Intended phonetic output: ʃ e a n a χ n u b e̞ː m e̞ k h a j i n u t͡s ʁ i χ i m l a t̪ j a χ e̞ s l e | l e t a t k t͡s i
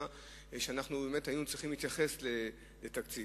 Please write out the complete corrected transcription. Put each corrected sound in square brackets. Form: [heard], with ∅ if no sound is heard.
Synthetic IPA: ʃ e a n a χ n u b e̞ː m e̞ [t] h a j i n u t͡s ʁ i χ i m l [i] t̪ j a χ e̞ s l e | l e t a [∅] k t͡s i